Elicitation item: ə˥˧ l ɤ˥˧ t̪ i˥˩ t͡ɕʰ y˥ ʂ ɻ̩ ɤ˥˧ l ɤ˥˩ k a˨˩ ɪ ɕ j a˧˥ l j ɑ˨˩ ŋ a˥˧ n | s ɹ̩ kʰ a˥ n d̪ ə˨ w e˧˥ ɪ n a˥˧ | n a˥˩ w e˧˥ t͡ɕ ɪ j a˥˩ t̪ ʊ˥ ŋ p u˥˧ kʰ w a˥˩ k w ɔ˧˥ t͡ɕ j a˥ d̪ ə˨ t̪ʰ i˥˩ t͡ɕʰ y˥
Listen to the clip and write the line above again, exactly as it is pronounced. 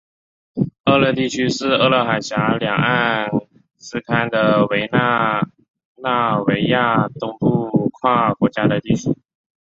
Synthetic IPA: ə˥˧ l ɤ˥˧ t̪ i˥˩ t͡ɕʰ y˥ ʂ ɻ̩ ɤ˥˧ l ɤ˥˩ x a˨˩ ɪ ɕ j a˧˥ l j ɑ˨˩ ŋ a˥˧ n | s ɹ̩ kʰ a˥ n d̪ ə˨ w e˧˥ ɪ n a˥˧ | n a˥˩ w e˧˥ ɪ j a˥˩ t̪ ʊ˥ ŋ p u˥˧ kʰ w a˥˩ k w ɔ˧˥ t͡ɕ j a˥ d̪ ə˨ t̪ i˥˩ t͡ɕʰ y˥